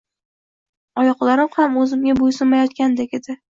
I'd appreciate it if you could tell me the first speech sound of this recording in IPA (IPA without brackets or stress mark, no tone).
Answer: ɒ